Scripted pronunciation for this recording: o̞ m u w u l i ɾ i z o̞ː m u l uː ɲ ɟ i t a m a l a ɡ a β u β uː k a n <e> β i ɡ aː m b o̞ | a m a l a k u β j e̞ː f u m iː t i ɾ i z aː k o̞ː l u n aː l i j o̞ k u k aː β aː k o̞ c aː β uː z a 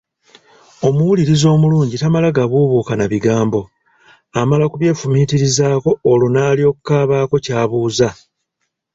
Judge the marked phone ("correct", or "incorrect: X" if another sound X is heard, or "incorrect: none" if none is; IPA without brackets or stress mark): incorrect: a